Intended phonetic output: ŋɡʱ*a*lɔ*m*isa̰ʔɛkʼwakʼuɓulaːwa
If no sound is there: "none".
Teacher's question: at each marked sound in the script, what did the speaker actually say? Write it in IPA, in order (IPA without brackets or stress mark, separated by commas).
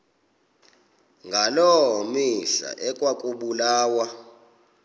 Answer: a, m